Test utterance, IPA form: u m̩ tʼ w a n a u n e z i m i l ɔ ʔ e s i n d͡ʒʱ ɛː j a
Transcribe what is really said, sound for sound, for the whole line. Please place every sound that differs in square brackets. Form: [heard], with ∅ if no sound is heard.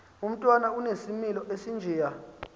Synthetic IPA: u m̩ tʼ w a n a u n e [s] i m i l ɔ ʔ e s i n d͡ʒʱ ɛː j a